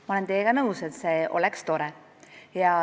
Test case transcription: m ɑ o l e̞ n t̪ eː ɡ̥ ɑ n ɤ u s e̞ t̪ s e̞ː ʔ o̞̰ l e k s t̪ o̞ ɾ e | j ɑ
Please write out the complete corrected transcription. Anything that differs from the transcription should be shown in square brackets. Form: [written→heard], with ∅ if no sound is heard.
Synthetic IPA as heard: m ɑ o l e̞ n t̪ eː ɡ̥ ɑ n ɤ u s e̞ t̪ s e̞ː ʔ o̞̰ l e k s t̪ o̞ ɾ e | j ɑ